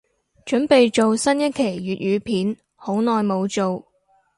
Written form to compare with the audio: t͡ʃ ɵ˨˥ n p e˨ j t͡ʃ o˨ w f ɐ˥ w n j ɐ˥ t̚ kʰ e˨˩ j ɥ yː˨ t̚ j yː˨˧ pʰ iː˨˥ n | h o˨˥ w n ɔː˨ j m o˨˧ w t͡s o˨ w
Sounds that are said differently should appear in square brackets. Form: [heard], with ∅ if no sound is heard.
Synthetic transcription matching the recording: t͡ʃ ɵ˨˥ n p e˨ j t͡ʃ o˨ w [s] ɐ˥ [∅] n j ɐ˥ t̚ kʰ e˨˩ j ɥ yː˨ t̚ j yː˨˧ pʰ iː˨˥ n | h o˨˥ w n ɔː˨ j m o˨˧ w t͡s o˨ w